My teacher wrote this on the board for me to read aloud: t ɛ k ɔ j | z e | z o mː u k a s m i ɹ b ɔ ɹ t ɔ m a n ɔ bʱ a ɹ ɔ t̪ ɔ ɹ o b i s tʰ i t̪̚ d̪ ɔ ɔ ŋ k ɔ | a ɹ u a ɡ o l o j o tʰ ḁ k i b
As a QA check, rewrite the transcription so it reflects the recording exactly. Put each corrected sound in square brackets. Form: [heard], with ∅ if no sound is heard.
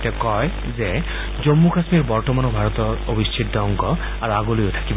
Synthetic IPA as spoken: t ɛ k ɔ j | z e | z o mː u k a s m i ɹ b ɔ ɹ t ɔ m a n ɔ bʱ a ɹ ɔ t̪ ɔ ɹ o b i s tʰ i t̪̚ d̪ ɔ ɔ ŋ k ɔ | a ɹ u a ɡ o l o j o tʰ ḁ k i b